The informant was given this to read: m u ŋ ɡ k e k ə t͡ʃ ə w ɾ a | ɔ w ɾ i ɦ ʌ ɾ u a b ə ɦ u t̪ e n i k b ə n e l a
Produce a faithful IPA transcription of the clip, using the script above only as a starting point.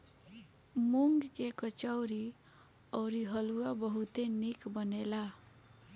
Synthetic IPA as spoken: m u ŋ ɡ k e k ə t͡ʃ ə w ɾ i | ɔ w ɾ i ɦ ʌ l u a b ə ɦ u t̪ e n i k b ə n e l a